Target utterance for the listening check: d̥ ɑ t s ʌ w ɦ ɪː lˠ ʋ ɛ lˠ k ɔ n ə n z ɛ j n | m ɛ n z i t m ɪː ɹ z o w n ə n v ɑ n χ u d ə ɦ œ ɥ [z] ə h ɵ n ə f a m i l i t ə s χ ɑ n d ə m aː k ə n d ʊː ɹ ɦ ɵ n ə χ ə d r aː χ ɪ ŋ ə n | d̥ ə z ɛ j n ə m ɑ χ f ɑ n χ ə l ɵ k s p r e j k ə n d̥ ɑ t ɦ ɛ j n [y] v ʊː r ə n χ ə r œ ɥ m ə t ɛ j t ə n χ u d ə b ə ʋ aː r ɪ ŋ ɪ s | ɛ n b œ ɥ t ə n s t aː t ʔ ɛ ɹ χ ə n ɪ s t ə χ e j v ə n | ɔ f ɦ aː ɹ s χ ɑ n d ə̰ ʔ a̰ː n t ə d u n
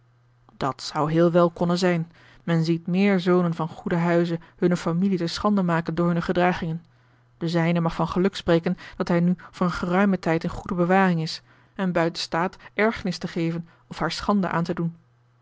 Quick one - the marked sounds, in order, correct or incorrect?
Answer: correct, correct

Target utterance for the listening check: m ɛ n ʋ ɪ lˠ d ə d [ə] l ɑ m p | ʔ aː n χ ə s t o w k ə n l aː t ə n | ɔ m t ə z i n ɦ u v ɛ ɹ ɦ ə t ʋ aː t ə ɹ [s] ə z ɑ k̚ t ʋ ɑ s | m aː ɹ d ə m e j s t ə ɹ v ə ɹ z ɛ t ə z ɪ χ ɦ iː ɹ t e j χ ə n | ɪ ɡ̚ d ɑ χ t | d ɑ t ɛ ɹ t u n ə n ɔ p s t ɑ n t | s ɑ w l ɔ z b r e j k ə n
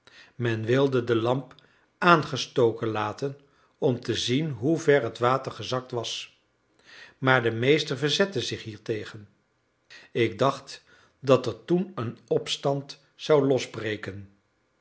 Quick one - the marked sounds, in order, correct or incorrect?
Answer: correct, incorrect: χ

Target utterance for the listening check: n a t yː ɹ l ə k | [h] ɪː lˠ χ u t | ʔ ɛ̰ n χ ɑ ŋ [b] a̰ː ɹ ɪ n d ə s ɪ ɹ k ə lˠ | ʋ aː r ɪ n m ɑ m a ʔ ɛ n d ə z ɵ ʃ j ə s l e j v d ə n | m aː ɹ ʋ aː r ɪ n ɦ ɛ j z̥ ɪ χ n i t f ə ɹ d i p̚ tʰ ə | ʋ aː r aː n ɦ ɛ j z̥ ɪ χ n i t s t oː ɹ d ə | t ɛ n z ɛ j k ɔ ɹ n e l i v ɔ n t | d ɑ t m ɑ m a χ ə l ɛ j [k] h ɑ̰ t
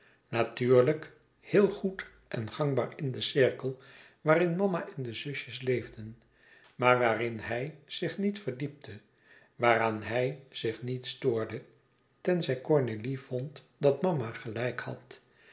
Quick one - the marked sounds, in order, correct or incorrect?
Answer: correct, correct, correct

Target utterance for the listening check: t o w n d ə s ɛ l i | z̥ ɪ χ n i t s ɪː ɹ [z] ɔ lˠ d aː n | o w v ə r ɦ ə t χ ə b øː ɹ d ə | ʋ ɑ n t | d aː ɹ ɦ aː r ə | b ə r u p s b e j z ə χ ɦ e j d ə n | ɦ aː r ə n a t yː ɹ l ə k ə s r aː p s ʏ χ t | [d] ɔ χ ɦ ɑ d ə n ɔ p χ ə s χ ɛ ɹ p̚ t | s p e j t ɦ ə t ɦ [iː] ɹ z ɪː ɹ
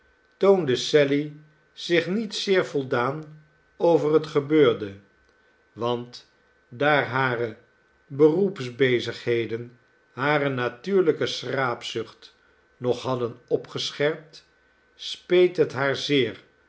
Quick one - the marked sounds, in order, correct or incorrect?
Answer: incorrect: v, incorrect: n, incorrect: aː

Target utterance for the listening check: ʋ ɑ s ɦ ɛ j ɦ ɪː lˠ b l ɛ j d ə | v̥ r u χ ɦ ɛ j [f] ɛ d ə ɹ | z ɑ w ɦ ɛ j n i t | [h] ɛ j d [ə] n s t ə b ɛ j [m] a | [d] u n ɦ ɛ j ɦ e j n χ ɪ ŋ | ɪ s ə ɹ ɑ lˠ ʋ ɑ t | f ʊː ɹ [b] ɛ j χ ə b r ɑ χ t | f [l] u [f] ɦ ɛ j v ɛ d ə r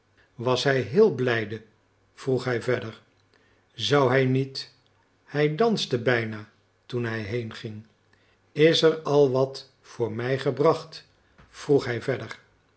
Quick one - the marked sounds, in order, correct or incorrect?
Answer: incorrect: v, correct, incorrect: ɑ, incorrect: n, incorrect: t, incorrect: m, incorrect: r, incorrect: χ

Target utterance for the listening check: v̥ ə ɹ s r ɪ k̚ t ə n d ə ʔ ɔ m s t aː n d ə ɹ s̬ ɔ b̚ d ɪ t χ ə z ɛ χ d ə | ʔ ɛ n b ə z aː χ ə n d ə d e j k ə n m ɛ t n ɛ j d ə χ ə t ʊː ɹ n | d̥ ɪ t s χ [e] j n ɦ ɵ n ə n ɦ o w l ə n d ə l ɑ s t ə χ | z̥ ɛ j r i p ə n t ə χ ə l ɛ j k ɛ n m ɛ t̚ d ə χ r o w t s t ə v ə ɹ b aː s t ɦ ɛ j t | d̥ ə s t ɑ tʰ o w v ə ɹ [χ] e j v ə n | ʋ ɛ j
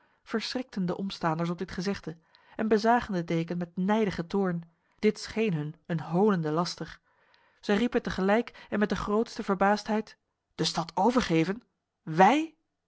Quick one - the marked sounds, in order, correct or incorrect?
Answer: correct, correct

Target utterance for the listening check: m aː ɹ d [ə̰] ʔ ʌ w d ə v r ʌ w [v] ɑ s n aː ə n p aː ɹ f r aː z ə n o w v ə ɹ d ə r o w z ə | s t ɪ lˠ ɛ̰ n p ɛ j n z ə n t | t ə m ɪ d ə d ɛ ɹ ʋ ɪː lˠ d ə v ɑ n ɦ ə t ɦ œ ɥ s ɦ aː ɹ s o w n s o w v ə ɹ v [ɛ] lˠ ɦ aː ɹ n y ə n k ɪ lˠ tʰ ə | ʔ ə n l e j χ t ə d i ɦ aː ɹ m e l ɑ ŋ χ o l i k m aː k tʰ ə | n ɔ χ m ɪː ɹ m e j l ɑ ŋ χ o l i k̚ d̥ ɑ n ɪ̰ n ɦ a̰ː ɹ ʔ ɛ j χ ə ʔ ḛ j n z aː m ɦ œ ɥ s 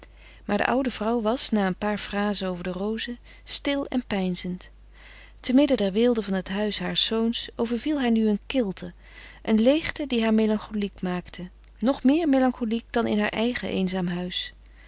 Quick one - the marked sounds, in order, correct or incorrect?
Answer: correct, incorrect: ʋ, incorrect: i

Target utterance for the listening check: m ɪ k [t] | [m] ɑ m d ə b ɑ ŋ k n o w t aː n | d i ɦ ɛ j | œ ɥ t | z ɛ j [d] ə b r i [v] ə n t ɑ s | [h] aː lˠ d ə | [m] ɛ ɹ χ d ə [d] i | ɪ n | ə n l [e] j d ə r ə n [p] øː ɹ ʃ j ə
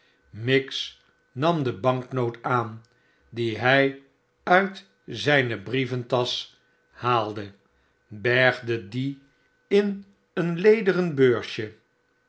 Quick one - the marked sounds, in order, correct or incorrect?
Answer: incorrect: s, incorrect: n, incorrect: n, correct, correct, incorrect: b, correct, correct, incorrect: b

